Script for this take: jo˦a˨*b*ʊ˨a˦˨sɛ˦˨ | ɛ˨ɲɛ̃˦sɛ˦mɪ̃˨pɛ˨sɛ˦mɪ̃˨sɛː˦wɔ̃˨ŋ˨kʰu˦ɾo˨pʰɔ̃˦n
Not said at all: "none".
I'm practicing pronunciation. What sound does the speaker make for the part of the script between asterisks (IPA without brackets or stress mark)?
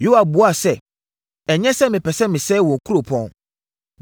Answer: b